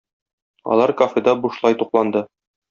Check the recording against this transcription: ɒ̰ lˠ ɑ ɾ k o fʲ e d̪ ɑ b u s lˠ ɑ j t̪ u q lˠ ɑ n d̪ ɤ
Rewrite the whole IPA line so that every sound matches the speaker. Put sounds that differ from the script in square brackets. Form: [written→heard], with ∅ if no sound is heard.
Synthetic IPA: ɒ̰ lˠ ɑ ɾ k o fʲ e d̪ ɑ b u [s→ʃ] lˠ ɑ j t̪ u q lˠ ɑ n d̪ ɤ